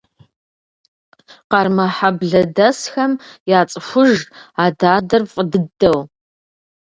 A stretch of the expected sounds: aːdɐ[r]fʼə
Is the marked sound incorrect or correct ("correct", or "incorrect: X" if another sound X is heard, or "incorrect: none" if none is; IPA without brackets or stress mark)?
correct